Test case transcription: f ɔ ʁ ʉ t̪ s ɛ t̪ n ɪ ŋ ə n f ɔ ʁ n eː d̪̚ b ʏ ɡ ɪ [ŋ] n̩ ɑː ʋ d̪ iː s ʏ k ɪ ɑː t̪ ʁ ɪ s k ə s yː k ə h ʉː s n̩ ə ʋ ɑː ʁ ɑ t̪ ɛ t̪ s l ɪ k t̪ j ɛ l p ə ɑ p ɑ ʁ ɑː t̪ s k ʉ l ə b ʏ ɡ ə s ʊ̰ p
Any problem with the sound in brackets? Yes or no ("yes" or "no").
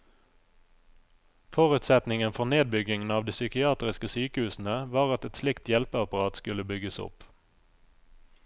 no